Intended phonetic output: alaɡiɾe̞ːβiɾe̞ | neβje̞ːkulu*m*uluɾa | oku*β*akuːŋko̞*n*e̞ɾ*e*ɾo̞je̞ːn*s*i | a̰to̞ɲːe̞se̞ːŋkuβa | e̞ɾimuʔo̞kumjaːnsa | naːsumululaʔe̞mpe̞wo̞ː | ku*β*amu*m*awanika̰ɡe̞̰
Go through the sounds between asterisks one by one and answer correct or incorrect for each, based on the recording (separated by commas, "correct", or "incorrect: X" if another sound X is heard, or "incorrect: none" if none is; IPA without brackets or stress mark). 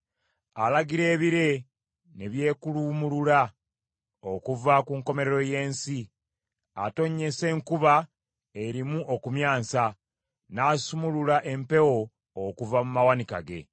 correct, incorrect: v, incorrect: m, correct, correct, incorrect: v, correct